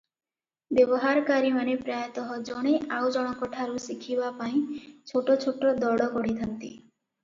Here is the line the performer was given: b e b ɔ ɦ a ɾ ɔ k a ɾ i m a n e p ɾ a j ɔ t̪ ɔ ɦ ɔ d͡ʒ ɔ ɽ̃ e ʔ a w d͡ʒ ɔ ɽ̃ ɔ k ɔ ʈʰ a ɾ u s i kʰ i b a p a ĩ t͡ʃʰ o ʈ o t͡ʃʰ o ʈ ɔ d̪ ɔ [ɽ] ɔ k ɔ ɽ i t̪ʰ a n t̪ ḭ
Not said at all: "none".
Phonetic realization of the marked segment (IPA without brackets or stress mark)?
ɽ